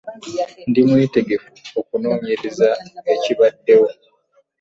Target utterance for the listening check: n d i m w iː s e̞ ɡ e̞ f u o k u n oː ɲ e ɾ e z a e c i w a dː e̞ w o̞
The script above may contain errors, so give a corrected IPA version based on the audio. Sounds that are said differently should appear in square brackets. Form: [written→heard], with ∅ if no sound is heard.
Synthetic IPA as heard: n d i m w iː [s→t] e̞ ɡ e̞ f u o k u n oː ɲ e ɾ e z a e c i [w→β] a dː e̞ w o̞